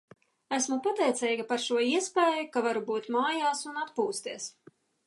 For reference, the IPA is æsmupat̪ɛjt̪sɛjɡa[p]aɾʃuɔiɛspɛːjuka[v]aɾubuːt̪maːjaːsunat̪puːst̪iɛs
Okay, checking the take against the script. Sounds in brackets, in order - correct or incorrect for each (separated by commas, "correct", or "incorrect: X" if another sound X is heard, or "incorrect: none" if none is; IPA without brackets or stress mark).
correct, correct